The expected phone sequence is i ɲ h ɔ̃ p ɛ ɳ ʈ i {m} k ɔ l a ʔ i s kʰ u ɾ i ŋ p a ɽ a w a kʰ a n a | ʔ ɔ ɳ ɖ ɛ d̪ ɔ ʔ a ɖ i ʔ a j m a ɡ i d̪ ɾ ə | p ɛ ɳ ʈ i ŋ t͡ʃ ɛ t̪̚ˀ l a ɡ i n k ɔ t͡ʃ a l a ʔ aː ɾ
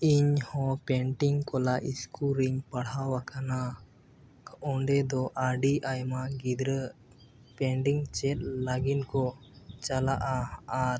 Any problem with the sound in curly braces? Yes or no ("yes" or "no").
yes